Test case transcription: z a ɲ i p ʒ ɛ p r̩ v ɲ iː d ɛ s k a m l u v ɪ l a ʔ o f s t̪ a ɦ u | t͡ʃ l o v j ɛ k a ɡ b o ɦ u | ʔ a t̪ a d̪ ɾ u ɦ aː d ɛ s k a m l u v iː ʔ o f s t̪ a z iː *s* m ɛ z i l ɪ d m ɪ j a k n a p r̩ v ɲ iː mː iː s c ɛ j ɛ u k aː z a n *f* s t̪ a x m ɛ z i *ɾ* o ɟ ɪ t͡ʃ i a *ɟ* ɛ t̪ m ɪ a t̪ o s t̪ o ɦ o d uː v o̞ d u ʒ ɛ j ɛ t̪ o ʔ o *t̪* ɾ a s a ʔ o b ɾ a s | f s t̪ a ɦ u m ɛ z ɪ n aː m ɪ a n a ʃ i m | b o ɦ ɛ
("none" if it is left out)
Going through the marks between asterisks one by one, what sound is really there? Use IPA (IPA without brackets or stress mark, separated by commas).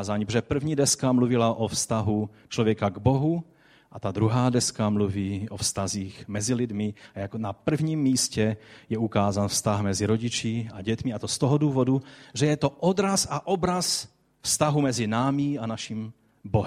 x, f, ɾ, ɟ, d̪